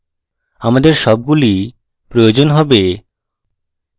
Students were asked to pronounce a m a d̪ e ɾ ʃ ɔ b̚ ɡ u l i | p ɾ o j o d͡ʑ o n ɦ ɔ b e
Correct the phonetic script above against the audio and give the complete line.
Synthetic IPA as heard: a m a d̪ e ɾ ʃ ɔ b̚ ɡ u l i | p ɾ o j o d͡ʑ o n ɦ ɔ b e